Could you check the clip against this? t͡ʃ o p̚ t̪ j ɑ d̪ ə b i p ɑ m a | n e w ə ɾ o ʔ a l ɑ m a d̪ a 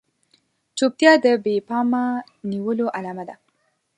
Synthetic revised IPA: t͡ʃ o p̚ t̪ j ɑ d̪ ə b e p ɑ m a | n i w ə l o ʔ a l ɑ m a d̪ a